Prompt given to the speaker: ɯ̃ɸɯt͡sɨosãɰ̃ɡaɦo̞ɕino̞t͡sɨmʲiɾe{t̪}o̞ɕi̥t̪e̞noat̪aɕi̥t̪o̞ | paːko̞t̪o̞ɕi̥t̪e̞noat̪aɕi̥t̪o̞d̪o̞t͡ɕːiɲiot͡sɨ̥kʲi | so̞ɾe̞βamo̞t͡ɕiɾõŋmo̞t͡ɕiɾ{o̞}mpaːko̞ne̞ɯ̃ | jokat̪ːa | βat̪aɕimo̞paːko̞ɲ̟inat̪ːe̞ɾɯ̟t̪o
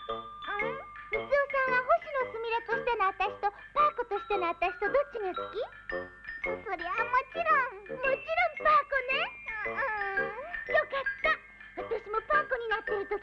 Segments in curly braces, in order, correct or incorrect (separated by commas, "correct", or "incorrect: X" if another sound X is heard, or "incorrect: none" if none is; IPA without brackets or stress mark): correct, incorrect: õ̞